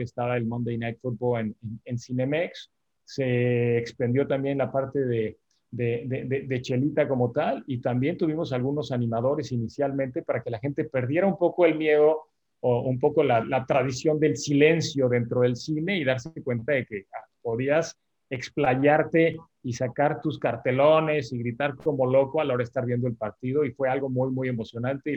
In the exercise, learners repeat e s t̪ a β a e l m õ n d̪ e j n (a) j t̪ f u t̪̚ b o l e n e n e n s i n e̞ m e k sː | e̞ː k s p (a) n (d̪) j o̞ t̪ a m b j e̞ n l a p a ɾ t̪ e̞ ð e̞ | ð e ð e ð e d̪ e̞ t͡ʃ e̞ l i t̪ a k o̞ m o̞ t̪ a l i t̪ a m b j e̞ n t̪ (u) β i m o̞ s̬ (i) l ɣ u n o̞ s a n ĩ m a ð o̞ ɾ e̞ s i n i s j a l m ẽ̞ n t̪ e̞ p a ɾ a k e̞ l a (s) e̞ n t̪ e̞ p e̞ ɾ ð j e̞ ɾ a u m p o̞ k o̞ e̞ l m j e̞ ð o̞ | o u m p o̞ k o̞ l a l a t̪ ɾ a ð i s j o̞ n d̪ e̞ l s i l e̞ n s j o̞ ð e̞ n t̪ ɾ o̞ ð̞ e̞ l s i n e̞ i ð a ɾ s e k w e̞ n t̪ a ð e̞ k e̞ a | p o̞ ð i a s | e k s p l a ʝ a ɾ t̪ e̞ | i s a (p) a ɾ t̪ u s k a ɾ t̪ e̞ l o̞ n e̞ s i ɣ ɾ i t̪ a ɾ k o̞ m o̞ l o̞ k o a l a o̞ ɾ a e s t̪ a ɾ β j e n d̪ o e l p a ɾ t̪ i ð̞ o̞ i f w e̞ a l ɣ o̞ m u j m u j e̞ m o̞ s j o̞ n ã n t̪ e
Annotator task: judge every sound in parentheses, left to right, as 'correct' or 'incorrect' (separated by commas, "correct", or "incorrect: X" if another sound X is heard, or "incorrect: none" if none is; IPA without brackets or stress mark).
correct, incorrect: e, correct, correct, incorrect: a, incorrect: x, incorrect: k